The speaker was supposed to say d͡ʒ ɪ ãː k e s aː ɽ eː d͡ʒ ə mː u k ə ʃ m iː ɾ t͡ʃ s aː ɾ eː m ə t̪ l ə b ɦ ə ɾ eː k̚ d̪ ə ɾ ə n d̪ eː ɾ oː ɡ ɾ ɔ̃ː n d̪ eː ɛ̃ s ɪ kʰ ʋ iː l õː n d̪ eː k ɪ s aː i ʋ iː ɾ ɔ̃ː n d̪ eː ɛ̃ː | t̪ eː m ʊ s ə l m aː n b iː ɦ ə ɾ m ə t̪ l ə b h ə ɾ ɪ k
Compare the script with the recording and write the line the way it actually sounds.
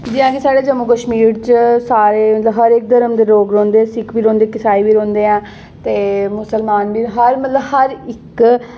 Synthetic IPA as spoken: d͡ʒ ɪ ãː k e s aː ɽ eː d͡ʒ ə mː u k ə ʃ m iː ɾ t͡ʃ s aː ɾ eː m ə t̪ l ə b ɦ ə ɾ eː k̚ d̪ ə ɾ ə m d̪ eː ɾ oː ɡ ɾ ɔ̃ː n d̪ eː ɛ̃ s ɪ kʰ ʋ iː ɾ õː n d̪ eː k ɪ s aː i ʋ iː ɾ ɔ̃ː n d̪ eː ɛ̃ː | t̪ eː m ʊ s ə l m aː n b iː ɦ ə ɾ m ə t̪ l ə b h ə ɾ ɪ k